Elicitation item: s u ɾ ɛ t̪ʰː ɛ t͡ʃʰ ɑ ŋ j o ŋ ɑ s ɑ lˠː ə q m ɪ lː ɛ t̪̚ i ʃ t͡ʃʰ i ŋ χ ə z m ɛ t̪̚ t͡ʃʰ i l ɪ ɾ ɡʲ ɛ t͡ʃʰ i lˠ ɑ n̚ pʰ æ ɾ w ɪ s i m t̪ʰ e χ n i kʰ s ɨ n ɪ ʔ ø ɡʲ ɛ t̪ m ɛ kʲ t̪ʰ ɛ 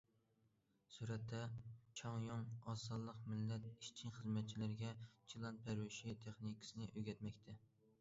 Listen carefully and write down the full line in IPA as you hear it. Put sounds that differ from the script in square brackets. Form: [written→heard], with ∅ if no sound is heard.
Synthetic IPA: s u ɾ ɛ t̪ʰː ɛ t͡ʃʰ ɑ ŋ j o ŋ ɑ s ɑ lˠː ə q m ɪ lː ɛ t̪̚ i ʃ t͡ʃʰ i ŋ χ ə z m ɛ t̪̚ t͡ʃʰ i l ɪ ɾ ɡʲ ɛ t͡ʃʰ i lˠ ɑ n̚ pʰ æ ɾ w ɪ [s→ʃ] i [m→∅] t̪ʰ e χ n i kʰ s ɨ n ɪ ʔ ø ɡʲ ɛ t̪ m ɛ kʲ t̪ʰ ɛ